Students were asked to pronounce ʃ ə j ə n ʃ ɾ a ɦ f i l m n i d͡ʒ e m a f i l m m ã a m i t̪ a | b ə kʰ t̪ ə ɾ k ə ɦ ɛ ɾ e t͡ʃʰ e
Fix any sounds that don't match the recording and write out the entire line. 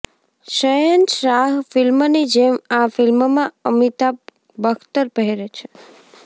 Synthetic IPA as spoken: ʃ ə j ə n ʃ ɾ a ɦ f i l m n i d͡ʒ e m a f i l m m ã ə m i t̪ a | b ə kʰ t̪ ə ɾ p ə ɦ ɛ ɾ e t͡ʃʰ e